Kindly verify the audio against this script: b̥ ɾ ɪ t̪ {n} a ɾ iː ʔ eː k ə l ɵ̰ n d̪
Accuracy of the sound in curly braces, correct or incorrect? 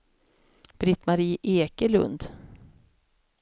incorrect